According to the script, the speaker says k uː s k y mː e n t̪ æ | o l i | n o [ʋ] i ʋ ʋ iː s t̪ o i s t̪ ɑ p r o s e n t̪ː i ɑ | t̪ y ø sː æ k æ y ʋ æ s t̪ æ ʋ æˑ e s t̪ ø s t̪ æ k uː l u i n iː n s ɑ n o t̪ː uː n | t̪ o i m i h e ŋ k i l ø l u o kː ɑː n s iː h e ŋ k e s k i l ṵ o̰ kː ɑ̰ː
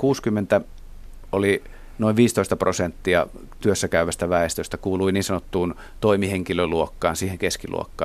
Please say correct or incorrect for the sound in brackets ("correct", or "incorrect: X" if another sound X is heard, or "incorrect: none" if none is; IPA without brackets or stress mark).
incorrect: none